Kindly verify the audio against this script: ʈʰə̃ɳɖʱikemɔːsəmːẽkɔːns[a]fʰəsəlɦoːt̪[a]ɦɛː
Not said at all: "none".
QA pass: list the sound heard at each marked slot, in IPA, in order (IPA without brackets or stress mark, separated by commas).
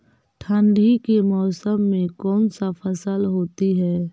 a, i